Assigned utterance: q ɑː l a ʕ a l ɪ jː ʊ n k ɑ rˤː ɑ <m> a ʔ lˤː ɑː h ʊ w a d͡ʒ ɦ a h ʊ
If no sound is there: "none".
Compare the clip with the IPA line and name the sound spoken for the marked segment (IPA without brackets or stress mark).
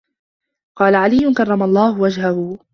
m